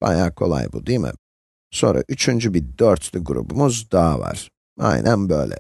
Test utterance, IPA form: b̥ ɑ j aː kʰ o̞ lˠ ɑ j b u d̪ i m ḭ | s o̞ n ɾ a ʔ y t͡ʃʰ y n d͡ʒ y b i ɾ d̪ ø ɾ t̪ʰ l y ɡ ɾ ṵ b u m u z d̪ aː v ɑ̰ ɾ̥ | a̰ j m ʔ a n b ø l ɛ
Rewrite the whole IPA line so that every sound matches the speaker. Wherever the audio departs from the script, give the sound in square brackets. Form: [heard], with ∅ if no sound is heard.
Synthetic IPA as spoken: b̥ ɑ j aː kʰ o̞ lˠ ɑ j b u d̪ i m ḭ | s o̞ n ɾ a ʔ y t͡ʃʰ y n d͡ʒ y b i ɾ d̪ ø ɾ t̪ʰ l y ɡ ɾ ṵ b u m u z d̪ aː v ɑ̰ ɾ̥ | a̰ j [n] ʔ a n b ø l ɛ

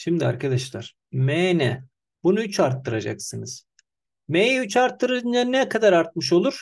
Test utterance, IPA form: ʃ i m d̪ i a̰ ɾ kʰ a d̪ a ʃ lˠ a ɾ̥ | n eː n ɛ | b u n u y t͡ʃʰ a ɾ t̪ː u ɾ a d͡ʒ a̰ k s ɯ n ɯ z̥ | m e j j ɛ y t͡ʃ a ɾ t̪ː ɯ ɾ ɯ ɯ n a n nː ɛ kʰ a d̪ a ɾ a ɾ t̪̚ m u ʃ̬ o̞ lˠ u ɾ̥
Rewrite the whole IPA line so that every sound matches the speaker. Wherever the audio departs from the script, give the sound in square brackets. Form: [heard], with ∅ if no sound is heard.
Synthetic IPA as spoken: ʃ i m d̪ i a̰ ɾ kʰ a d̪ a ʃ lˠ a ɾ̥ | [m] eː n ɛ | b u n u y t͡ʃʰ a ɾ t̪ː [ɯ] ɾ a d͡ʒ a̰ k s ɯ n ɯ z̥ | m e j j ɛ y t͡ʃ a ɾ t̪ː ɯ ɾ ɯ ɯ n a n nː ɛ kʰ a d̪ a ɾ a ɾ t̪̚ m [ɯ] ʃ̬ o̞ lˠ u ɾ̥

